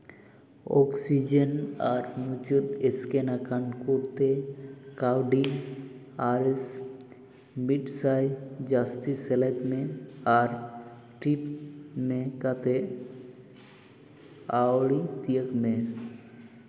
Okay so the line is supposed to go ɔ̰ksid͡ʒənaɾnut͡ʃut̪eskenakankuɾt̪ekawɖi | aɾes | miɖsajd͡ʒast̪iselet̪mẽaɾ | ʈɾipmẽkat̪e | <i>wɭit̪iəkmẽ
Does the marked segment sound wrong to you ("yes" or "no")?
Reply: yes